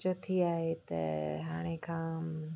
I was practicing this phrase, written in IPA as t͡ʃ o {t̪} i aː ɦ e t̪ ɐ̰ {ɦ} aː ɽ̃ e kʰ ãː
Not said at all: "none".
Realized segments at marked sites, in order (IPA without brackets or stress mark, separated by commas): t̪ʰ, ɦ